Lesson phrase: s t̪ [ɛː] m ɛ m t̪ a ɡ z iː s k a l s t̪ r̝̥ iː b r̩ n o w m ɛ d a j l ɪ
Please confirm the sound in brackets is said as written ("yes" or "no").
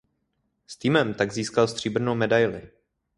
no